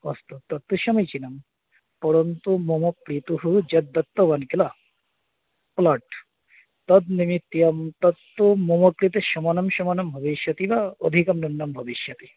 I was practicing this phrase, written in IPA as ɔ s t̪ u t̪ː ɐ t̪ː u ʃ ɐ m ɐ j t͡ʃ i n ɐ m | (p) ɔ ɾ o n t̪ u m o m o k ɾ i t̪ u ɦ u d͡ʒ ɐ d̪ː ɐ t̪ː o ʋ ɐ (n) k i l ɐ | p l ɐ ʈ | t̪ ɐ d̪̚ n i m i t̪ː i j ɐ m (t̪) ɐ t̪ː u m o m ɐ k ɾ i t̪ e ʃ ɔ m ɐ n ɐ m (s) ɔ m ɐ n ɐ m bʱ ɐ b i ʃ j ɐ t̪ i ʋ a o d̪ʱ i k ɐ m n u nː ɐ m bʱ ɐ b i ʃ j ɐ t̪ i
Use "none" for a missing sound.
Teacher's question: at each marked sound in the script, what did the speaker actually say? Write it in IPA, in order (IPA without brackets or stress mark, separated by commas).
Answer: p, n, t̪, ʃ